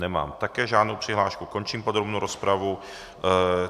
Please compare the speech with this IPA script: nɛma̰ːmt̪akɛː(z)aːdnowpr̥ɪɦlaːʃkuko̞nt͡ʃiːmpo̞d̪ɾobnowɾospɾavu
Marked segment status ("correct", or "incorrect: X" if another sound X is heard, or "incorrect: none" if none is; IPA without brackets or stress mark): incorrect: ʒ